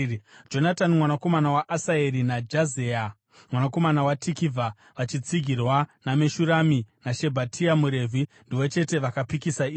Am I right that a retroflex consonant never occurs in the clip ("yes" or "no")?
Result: yes